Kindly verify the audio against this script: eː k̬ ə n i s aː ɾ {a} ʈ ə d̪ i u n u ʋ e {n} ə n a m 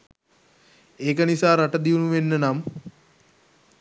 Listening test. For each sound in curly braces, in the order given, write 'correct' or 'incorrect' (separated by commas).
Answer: correct, incorrect